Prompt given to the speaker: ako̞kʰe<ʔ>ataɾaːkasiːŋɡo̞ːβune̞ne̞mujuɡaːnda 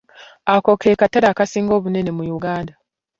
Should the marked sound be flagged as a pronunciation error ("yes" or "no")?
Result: yes